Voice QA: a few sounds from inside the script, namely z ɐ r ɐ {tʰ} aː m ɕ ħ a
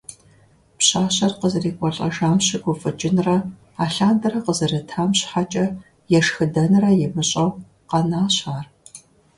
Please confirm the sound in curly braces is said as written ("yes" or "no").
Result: yes